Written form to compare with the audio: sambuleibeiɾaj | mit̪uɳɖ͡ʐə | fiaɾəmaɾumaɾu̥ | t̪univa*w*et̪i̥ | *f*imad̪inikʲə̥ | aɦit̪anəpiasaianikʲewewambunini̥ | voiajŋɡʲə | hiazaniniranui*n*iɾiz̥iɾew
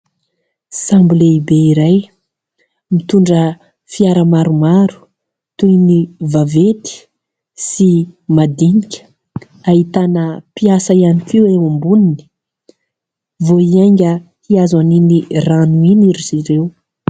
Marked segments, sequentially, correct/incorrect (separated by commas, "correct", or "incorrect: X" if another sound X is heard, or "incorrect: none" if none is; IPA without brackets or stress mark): incorrect: v, incorrect: s, correct